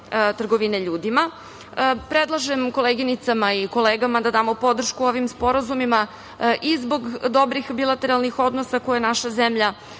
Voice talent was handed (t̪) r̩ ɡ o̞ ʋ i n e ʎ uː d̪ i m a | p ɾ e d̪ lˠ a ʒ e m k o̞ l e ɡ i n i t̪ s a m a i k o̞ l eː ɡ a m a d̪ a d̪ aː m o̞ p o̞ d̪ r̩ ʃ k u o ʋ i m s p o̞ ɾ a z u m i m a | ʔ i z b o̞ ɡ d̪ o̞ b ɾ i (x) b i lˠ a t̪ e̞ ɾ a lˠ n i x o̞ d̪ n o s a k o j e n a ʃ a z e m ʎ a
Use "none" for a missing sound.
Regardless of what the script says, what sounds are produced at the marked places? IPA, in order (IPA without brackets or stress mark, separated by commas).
t̪, x